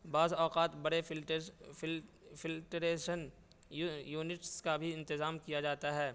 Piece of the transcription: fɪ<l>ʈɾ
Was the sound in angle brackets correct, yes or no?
yes